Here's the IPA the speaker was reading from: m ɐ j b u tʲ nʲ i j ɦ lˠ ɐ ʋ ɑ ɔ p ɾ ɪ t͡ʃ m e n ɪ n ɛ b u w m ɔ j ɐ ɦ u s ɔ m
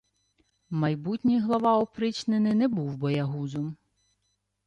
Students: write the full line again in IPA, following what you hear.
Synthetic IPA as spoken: m ɐ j b u tʲ nʲ i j ɦ lˠ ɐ ʋ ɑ ɔ p ɾ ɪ t͡ʃ n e n ɪ n ɛ b u w b ɔ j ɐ ɦ u z ɔ m